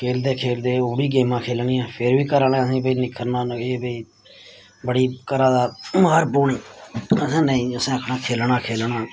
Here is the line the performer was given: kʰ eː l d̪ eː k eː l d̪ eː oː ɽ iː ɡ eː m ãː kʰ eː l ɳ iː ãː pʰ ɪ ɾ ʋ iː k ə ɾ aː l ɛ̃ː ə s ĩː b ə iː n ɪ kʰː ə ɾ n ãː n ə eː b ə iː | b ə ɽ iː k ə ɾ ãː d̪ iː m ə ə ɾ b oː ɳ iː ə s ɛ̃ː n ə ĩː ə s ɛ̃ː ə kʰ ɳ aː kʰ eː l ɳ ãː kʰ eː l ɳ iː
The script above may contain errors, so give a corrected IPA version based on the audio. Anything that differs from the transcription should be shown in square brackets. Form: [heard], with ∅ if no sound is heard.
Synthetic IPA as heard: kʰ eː l d̪ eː [kʰ] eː l d̪ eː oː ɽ iː ɡ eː m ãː kʰ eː l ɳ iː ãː pʰ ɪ ɾ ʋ iː k ə ɾ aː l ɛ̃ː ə s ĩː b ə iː n ɪ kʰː ə ɾ n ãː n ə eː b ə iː | b ə ɽ iː k ə ɾ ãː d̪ [aː] m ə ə ɾ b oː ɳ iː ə s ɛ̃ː n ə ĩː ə s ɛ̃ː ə kʰ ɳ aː kʰ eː l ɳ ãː kʰ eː l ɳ [aː]